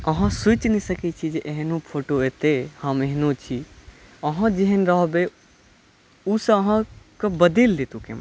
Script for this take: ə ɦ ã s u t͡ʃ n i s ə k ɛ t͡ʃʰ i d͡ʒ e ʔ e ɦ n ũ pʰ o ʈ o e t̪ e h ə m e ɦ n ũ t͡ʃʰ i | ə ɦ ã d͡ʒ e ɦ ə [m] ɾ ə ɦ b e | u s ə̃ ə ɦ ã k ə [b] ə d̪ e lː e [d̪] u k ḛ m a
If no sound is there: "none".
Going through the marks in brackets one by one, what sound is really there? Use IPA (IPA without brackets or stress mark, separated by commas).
n, b, t̪